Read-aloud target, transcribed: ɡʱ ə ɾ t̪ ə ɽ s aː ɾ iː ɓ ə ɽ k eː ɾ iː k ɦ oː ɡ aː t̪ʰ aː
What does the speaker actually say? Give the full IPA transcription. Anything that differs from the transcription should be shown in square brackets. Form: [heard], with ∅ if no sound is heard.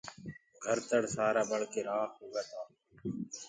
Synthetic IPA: ɡʱ ə ɾ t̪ ə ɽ s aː ɾ [aː] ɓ ə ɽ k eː ɾ [aː] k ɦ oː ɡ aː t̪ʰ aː